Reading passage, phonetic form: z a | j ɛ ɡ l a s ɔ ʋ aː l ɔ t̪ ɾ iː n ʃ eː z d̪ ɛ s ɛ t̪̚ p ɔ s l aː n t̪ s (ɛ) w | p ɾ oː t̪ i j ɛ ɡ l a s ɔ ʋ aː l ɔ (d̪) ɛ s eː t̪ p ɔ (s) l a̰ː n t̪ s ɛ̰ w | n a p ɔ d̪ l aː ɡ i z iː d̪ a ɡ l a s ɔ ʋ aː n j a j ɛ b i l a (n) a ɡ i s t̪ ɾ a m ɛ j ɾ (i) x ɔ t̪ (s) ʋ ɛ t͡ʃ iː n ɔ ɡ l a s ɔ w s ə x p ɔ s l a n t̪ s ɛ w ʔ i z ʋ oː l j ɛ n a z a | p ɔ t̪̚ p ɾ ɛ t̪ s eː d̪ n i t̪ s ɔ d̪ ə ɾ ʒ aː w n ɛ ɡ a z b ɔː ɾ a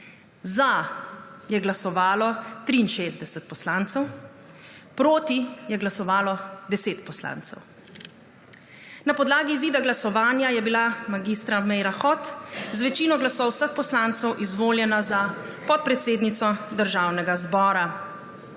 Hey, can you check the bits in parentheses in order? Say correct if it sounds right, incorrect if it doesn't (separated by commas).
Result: correct, correct, correct, incorrect, incorrect, incorrect